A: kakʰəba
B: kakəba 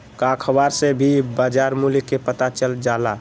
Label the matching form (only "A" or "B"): A